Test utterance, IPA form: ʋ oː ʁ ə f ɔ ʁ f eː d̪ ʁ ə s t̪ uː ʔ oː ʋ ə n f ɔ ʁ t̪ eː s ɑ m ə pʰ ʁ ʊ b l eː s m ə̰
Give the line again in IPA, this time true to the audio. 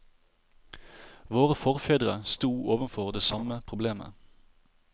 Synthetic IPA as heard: ʋ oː ʁ ə f ɔ ʁ f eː d̪ ʁ ə s t̪ uː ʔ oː ʋ ə n f ɔ ʁ d̪ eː s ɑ m ə pʰ ʁ ʊ b l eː m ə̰